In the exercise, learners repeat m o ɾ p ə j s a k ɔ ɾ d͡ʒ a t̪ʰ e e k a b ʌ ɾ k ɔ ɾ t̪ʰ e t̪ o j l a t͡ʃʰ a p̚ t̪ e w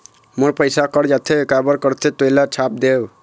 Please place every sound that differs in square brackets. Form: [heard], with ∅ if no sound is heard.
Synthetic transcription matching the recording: m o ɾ p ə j s a k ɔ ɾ d͡ʒ a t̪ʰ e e k a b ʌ ɾ k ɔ ɾ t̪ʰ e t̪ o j l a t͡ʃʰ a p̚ [d̪] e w

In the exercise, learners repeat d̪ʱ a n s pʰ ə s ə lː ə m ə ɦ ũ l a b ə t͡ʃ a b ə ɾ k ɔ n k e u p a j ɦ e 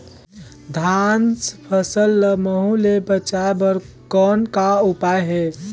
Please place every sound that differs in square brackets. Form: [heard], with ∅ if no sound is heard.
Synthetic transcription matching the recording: d̪ʱ a n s pʰ ə s ə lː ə m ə ɦ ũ l [e] b ə t͡ʃ a b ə ɾ k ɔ n k [a] u p a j ɦ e

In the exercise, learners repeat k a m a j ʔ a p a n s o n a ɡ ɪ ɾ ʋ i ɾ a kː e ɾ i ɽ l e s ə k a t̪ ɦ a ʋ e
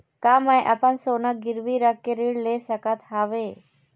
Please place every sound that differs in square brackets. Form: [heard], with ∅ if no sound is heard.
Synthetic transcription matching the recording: k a m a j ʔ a p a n s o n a ɡ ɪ ɾ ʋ i ɾ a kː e ɾ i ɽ l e s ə k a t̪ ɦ a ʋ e

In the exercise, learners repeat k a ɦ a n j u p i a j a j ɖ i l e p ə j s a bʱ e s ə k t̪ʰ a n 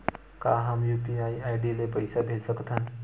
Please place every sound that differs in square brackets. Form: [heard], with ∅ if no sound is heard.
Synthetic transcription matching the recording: k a ɦ a [m] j u p i a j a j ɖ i l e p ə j s a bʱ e s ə k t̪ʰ a n

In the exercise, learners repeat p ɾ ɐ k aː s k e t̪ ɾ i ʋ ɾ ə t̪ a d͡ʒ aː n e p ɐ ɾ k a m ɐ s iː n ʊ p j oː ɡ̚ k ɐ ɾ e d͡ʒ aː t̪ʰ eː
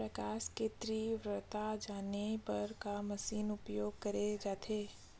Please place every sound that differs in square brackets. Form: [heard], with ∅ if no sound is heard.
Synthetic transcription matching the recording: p ɾ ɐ k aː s k e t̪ ɾ i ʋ ɾ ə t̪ a d͡ʒ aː n e p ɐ ɾ k a m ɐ s iː n ʊ p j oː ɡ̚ k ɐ ɾ e d͡ʒ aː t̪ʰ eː

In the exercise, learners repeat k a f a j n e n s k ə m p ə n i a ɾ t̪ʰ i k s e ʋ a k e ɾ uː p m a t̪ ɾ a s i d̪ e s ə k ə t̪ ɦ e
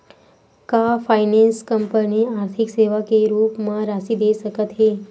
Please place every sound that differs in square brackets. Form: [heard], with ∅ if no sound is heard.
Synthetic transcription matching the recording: k a f a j n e n s k ə m p ə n i a ɾ t̪ʰ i k s e ʋ a k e ɾ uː p m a [∅] ɾ a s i d̪ e s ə k ə t̪ ɦ e

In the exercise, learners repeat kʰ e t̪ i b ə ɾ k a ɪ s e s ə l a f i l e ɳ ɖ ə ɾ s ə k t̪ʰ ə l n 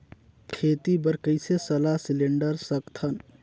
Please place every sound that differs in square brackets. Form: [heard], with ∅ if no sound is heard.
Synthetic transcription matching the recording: kʰ e t̪ i b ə ɾ k [ə] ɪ s e s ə l a [s] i l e ɳ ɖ ə ɾ s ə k t̪ʰ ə [∅] n

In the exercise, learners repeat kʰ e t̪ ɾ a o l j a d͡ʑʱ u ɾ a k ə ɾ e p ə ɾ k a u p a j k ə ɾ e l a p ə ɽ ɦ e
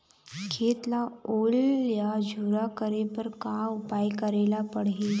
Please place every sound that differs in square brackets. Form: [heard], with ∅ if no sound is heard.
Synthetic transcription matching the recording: kʰ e t̪ [l] a o l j a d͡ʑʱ u ɾ a k ə ɾ e p ə ɾ k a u p a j k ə ɾ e l a p ə ɽ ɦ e

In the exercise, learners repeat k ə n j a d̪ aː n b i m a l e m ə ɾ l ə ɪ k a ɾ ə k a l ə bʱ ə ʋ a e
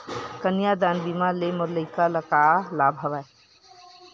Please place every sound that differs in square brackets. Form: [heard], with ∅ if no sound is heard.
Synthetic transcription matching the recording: k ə n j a d̪ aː n b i m a l e m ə ɾ l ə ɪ k a [l] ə k a l [a] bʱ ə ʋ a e

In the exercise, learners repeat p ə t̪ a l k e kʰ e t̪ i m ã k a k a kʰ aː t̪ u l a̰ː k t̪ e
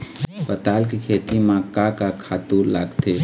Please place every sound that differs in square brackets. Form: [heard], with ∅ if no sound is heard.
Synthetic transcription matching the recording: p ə t̪ a l k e kʰ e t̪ i m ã k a k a kʰ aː t̪ u l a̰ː [ɡ] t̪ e

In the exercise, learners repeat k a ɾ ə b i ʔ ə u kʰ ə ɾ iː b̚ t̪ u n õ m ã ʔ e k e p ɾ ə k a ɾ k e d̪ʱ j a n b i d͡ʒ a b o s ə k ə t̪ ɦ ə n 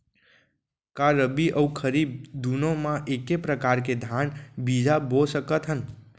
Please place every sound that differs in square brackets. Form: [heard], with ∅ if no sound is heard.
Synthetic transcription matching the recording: k a ɾ ə b i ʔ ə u kʰ ə ɾ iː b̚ [d̪] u n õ m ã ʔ e k e p ɾ ə k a ɾ k e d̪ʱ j a n b i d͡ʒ a b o s ə k ə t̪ ɦ ə n

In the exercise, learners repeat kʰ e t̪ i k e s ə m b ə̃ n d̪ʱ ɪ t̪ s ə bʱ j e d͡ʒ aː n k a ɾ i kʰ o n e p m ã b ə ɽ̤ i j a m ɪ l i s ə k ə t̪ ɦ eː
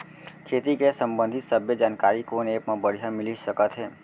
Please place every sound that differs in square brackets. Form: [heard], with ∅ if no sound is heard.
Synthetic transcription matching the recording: kʰ e t̪ i k e s ə m b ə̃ n d̪ʱ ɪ t̪ s ə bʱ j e d͡ʒ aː n k a ɾ i [k] o n e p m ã b ə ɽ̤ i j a m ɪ l i s ə k ə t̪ ɦ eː

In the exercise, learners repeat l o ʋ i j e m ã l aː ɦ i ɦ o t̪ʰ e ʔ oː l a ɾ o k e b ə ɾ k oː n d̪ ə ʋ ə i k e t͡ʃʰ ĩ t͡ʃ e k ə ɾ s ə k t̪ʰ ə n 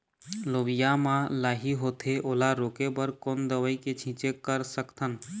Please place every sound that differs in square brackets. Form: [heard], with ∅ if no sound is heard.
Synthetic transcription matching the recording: l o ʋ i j [a] m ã l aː ɦ i ɦ o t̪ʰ e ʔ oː l a ɾ o k e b ə ɾ k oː n d̪ ə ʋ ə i k e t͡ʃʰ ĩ t͡ʃ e k ə ɾ s ə k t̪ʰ ə n

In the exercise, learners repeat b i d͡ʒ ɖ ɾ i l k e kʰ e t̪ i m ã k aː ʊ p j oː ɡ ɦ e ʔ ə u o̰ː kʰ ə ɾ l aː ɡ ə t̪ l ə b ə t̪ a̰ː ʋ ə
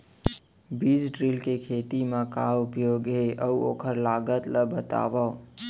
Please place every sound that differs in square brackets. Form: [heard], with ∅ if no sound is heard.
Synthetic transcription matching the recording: b i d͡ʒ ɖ ɾ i l k e kʰ e t̪ i m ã k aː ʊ p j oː ɡ ɦ e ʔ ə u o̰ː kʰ ə ɾ l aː ɡ ə t̪ l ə b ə t̪ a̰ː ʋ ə

